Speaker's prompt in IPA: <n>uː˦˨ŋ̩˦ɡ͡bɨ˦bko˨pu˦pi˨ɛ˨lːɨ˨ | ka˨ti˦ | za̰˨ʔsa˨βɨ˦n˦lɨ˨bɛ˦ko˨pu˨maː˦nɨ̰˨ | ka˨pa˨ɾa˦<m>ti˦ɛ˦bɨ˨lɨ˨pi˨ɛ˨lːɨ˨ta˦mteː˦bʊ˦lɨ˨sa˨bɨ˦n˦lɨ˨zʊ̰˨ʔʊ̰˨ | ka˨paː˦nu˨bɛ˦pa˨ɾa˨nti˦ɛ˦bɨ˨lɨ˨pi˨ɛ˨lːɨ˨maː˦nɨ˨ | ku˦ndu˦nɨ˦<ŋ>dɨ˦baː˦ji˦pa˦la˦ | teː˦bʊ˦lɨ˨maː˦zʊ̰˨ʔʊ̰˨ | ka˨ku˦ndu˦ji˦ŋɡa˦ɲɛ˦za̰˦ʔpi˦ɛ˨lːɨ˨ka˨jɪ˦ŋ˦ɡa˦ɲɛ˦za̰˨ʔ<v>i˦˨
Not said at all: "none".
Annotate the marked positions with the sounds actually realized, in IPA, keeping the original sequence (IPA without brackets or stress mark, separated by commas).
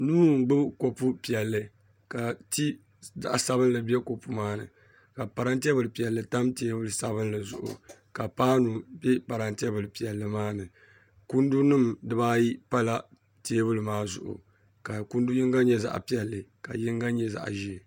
n, n, m, ʒ